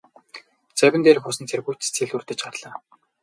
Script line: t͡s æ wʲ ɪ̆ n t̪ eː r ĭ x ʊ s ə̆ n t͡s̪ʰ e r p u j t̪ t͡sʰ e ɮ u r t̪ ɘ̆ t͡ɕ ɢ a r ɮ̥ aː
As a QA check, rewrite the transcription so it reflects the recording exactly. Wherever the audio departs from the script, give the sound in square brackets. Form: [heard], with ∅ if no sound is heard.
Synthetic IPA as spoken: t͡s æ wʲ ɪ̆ n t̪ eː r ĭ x ʊ s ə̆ n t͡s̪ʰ e r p u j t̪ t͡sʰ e ɮ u r t̪ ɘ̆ t͡ɕ ɢ a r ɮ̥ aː